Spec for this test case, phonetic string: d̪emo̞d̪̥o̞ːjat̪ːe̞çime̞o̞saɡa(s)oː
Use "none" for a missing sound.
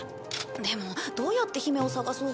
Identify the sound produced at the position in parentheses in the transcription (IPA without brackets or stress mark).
s